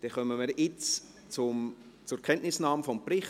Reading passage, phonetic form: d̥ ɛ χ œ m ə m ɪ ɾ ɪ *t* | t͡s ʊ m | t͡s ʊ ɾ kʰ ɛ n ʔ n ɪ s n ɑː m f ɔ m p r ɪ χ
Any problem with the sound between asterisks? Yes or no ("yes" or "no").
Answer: yes